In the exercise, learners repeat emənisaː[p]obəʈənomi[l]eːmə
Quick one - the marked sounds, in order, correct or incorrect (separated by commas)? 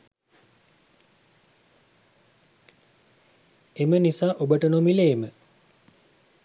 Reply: incorrect, correct